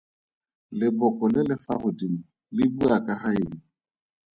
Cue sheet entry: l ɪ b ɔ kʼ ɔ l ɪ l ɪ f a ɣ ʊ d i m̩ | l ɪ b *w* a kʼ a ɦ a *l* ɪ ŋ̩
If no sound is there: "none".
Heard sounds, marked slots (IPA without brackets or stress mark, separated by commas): u, none